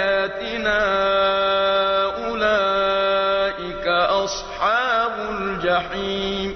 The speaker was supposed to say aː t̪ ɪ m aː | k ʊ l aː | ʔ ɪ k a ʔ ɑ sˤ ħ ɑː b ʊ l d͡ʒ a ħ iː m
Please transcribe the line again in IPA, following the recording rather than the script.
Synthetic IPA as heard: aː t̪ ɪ n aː | ʔ ʊ l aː | ʔ ɪ k a ʔ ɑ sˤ ħ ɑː b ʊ l d͡ʒ a ħ iː m